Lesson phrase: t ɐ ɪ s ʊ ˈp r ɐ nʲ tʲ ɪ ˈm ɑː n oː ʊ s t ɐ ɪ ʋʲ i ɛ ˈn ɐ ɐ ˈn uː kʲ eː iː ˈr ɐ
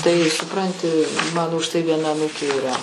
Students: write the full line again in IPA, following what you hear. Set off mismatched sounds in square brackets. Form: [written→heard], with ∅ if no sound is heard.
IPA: t ɐ ɪ s ʊ ˈp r ɐ nʲ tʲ ɪ ˈm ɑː n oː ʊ [s→ʃ] t ɐ ɪ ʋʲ i ɛ ˈn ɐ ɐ ˈn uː kʲ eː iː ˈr ɐ